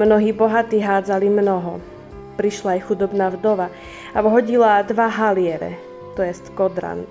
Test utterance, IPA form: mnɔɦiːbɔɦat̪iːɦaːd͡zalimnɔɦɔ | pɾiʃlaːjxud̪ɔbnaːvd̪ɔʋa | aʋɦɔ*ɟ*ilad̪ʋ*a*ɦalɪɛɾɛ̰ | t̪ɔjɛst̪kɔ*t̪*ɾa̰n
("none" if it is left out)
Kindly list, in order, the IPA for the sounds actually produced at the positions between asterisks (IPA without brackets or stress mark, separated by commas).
ɟ, a, d̪